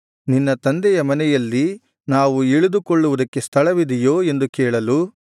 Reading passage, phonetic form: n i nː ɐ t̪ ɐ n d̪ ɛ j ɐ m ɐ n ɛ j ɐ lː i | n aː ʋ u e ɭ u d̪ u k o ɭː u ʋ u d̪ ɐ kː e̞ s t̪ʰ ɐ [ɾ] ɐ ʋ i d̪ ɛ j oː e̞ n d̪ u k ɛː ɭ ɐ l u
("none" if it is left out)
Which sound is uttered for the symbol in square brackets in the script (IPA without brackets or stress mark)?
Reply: ɭ